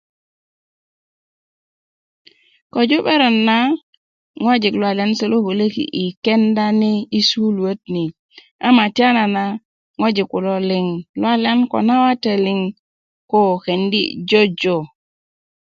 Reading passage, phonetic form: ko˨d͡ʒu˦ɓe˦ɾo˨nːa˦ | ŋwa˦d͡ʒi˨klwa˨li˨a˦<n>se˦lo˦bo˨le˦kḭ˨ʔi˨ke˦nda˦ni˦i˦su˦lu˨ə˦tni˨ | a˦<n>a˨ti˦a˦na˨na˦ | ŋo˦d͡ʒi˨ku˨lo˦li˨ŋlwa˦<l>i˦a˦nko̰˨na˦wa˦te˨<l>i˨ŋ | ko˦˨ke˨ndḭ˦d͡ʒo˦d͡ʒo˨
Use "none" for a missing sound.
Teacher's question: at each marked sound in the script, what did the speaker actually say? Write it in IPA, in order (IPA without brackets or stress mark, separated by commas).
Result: n, m, l, l